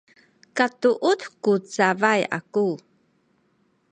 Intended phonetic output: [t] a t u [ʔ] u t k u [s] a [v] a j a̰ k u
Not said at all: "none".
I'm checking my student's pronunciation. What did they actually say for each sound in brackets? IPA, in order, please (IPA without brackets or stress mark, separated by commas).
k, ʔ, t͡s, v